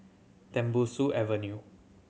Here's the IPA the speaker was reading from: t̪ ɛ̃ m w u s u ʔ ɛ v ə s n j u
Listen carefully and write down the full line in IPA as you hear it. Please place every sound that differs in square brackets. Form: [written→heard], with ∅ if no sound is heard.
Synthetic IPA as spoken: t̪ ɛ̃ m [w→b] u s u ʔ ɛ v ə [s→∅] n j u